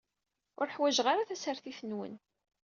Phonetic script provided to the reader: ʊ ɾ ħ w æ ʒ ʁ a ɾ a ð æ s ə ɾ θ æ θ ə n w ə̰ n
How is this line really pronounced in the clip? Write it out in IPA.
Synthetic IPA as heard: ʊ ɾ ħ w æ ʒ ʁ a ɾ a θ æ s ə ɾ θ i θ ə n w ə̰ n